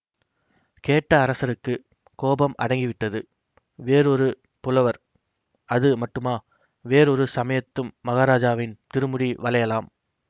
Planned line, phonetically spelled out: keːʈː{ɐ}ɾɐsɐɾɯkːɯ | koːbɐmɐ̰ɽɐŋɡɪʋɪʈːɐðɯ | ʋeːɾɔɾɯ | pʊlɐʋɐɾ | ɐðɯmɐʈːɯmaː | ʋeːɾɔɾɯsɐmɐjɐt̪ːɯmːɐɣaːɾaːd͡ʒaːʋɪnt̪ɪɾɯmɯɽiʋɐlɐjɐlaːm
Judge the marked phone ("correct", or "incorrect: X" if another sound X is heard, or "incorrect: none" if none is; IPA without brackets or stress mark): incorrect: ɐː